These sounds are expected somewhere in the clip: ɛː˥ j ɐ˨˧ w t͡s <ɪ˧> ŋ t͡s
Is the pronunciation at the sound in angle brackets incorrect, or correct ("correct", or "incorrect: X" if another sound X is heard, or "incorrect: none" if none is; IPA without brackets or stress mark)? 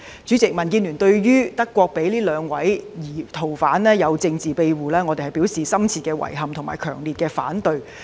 correct